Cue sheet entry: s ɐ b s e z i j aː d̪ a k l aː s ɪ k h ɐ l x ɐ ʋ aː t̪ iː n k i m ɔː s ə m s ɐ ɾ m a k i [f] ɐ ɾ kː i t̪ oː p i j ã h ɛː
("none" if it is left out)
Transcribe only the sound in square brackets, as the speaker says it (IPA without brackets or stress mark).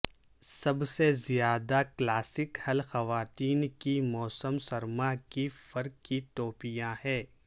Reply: f